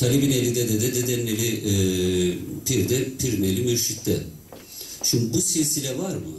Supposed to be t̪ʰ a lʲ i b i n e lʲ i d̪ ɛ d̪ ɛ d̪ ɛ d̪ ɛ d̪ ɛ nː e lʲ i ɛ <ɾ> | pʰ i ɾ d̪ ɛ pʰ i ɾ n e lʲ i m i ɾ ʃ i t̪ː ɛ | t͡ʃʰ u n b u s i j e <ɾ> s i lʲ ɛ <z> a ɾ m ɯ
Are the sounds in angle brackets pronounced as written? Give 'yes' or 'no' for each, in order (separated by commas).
no, no, no